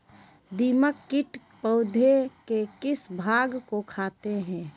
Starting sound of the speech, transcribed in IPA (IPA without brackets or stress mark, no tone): d̪